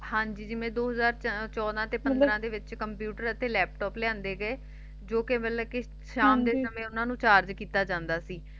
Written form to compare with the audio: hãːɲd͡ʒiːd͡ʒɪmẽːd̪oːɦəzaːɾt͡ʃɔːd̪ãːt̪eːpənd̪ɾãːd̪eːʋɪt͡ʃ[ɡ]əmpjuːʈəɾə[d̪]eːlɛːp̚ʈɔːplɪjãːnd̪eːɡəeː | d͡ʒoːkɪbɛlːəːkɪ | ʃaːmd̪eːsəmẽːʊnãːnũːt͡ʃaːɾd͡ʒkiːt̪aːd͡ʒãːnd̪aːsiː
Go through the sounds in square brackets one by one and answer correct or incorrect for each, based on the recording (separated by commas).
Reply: incorrect, incorrect